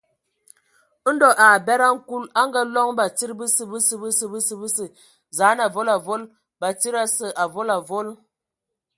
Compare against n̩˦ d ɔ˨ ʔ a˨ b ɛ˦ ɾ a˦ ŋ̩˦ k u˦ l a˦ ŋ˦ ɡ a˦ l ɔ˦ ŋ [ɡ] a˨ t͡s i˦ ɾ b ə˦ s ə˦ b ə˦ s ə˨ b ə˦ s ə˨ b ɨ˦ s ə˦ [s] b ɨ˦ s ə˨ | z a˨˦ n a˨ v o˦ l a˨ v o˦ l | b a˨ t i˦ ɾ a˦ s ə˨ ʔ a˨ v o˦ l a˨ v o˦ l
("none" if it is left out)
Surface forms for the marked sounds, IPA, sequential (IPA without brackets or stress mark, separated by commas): b, none